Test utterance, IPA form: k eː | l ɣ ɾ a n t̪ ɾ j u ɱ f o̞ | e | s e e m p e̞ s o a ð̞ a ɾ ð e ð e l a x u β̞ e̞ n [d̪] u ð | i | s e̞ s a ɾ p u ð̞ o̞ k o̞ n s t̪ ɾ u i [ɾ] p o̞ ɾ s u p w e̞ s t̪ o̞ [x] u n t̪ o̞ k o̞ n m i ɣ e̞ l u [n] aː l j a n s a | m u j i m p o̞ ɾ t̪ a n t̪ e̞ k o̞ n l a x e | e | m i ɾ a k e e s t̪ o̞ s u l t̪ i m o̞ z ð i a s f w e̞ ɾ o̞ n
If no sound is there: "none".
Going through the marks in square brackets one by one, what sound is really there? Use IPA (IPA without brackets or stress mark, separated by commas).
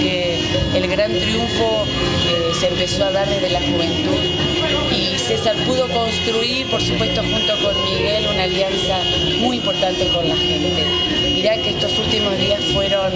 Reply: t̪, ɾ, x, n